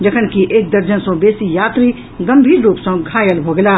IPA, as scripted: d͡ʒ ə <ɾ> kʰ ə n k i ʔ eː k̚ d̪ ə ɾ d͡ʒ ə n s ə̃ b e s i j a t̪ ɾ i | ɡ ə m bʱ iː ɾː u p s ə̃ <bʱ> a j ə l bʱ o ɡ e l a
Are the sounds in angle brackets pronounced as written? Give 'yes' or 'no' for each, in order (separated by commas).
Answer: no, no